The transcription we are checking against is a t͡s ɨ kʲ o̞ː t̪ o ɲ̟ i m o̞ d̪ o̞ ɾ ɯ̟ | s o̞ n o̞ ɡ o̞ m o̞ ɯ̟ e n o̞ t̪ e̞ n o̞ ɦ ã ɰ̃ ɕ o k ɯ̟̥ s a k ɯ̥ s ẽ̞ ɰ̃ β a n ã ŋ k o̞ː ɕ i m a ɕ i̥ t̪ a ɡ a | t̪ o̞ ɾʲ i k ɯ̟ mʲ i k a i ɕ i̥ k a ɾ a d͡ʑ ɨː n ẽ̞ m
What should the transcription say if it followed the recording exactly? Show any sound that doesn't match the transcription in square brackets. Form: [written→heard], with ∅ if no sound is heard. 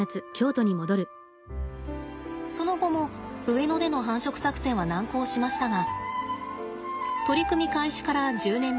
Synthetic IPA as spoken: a t͡s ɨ kʲ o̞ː t̪ o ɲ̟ i m o̞ d̪ o̞ ɾ ɯ̟ | s o̞ n o̞ ɡ o̞ m o̞ ɯ̟ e n o̞ [t̪→d̪] e̞ n o̞ ɦ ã ɰ̃ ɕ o k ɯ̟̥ s a k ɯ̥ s ẽ̞ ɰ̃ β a n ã ŋ k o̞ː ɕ i m a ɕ i̥ t̪ a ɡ a | t̪ o̞ ɾʲ i k ɯ̟ mʲ i k a i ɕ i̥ k a ɾ a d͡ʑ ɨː n ẽ̞ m